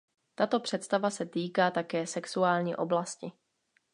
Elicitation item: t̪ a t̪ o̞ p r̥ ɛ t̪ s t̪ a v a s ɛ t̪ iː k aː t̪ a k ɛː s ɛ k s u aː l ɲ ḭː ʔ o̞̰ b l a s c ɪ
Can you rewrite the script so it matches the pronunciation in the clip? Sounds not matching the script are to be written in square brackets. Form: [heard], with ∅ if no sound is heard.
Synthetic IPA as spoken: t̪ a t̪ o̞ p r̥ ɛ t̪ s t̪ a v a s ɛ t̪ iː k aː t̪ a k ɛː s ɛ k s u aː l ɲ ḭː ʔ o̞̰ b l a s c ɪ